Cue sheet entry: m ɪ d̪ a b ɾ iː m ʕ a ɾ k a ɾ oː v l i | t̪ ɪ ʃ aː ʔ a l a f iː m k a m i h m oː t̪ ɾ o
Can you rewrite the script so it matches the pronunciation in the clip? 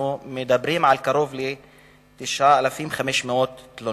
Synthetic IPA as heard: m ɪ d̪ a b ɾ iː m ʕ a l k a ɾ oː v l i | t̪ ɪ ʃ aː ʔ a l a f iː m x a m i ʃ m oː t̪ l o